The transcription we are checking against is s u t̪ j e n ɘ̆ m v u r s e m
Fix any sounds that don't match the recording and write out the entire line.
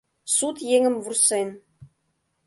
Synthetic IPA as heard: s u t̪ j e ŋ ɘ̆ m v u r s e n

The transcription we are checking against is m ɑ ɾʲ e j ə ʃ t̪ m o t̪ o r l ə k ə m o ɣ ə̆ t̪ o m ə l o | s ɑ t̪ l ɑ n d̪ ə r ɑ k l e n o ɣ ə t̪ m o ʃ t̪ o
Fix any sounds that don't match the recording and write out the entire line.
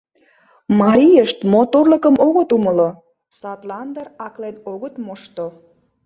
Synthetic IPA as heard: m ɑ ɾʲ i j ə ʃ t̪ m o t̪ o r l ə k ə m o ɣ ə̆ t̪ u m ə l o | s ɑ t̪ l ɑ n d̪ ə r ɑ k l e n o ɣ ə t̪ m o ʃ t̪ o

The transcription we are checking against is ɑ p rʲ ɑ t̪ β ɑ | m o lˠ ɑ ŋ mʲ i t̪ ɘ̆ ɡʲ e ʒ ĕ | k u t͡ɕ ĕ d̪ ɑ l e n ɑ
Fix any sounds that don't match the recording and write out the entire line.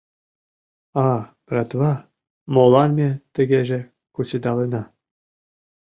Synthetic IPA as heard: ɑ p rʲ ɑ t̪ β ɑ | m o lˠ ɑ n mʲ e t̪ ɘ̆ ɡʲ e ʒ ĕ | k u t͡ɕ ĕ d̪ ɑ l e n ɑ

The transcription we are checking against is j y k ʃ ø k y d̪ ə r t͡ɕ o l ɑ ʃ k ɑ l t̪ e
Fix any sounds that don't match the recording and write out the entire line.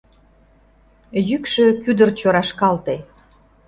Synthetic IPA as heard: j y k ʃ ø k y d̪ ə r t͡ɕ o ɾ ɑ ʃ k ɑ l t̪ e

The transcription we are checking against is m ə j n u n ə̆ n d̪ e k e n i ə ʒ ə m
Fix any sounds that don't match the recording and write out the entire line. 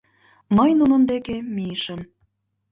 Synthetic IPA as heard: m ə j n u n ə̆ n d̪ e k e m i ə ʃ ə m

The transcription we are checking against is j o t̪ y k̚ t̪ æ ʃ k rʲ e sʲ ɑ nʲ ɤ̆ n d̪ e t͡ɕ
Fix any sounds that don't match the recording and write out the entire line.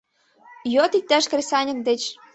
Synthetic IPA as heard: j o t̪ i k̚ t̪ æ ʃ k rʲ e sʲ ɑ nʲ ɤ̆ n d̪ e t͡ɕ

